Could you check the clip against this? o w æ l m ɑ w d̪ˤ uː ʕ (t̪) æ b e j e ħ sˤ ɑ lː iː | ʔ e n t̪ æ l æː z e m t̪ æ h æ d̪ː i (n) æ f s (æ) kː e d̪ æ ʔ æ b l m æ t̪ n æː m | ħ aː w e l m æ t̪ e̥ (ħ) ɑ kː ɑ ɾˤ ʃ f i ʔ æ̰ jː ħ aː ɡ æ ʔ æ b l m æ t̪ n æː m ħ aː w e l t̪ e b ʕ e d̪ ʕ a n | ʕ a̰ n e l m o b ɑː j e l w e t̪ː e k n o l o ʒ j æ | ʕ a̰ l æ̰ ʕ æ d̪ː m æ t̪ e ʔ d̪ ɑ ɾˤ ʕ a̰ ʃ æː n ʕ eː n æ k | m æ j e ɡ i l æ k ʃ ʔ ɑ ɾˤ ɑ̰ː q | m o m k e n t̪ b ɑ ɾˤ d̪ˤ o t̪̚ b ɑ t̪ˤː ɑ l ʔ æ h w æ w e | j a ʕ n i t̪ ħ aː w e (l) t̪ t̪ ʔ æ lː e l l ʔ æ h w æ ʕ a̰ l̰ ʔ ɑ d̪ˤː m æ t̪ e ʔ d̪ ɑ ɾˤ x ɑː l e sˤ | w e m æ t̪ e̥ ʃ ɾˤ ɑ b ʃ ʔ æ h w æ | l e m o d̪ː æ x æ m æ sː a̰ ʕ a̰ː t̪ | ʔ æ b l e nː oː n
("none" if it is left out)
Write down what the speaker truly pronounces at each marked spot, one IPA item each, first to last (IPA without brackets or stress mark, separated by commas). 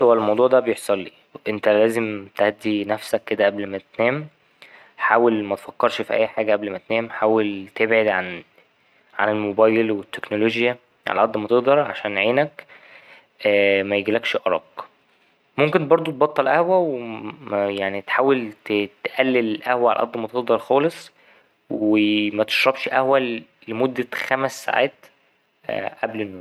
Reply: d̪, n, æ, f, l